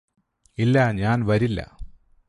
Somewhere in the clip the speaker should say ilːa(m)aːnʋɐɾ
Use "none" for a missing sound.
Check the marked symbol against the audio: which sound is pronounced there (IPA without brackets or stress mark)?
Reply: ɲ